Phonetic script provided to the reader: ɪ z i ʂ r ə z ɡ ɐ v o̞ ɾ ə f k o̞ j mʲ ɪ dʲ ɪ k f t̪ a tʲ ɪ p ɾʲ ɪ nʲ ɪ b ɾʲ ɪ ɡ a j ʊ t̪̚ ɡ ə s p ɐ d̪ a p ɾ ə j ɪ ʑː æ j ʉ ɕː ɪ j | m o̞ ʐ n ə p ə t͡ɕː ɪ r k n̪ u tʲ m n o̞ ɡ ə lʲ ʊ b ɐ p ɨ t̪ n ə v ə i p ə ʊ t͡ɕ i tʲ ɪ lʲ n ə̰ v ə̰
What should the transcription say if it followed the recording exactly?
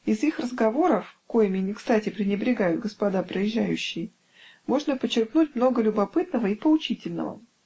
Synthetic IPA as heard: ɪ z i x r ə z ɡ ɐ v o̞ ɾ ə f k o̞ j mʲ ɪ nʲ ɪ k s t̪ a tʲ ɪ p ɾʲ ɪ nʲ ɪ b ɾʲ ɪ ɡ a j ʊ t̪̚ ɡ ə s p ɐ d̪ a p ɾ ə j ɪ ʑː æ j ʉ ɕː ɪ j | m o̞ ʐ n ə p ə t͡ɕː ɪ r k n̪ u tʲ m n o̞ ɡ ə lʲ ʊ b ɐ p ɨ t̪ n ə v ə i p ə ʊ t͡ɕ i tʲ ɪ lʲ n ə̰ v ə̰